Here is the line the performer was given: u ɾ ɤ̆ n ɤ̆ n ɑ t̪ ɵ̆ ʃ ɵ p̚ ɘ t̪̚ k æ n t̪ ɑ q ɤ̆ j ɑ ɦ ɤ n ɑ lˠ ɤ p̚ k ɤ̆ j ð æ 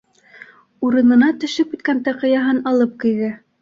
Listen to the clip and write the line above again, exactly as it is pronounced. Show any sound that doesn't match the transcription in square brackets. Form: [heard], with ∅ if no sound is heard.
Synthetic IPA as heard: u ɾ ɤ̆ n ɤ̆ n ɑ t̪ ɵ̆ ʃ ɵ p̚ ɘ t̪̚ k æ n t̪ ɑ q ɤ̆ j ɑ ɦ ɤ n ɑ lˠ ɤ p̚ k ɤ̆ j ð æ